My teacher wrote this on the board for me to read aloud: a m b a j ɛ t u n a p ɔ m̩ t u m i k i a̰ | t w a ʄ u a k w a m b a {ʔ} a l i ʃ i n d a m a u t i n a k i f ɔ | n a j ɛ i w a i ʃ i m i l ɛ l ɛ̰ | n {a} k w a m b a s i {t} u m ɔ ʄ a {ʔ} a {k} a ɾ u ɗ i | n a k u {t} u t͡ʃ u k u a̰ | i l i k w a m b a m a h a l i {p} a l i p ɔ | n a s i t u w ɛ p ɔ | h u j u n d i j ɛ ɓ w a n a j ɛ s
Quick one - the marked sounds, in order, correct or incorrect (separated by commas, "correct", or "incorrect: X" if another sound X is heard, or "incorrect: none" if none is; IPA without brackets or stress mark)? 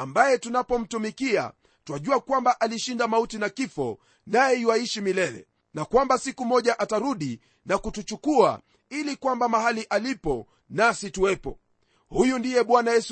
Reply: correct, correct, incorrect: k, correct, incorrect: t, correct, incorrect: ʔ